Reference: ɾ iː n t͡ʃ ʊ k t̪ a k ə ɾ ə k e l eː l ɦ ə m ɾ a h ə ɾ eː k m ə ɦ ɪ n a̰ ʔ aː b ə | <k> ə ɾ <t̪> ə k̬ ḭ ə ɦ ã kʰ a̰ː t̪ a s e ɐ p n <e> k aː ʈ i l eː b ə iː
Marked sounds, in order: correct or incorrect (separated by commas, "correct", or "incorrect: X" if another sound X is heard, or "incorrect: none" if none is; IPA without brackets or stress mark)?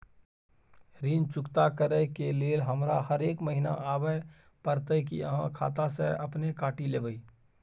incorrect: p, correct, correct